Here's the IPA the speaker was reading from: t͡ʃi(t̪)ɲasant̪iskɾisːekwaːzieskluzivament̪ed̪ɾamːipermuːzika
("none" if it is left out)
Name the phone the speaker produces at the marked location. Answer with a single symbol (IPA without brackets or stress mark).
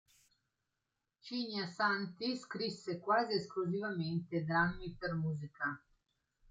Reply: none